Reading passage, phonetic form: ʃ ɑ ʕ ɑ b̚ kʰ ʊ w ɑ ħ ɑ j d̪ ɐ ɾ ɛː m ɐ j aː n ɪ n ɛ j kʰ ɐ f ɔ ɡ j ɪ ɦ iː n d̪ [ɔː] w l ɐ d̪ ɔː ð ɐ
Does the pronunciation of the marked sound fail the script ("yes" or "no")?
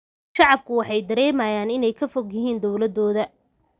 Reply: yes